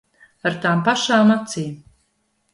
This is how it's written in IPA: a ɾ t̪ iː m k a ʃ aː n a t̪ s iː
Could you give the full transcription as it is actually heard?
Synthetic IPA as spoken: a ɾ t̪ aː m p a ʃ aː m a t̪ s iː